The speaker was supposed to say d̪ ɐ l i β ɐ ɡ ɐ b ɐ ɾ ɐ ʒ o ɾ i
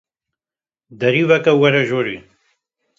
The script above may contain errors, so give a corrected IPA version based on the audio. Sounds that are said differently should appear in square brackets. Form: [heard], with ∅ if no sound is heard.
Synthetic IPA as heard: d̪ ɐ [ɾ] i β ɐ [k] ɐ [w] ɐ ɾ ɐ ʒ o ɾ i